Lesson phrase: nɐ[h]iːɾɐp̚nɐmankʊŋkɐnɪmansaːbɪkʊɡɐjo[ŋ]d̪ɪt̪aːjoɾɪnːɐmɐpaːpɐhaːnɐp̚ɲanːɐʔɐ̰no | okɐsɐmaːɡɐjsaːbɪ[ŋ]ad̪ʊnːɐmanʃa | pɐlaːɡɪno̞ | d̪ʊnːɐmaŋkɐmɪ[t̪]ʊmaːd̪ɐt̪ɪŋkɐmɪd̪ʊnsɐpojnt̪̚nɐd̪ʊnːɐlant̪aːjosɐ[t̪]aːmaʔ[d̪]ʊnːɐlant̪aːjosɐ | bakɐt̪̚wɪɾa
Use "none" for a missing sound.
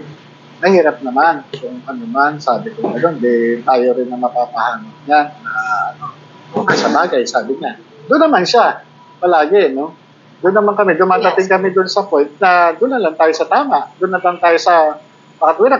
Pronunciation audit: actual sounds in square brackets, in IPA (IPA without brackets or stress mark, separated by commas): h, n, ɲ, d̪, t̪, d̪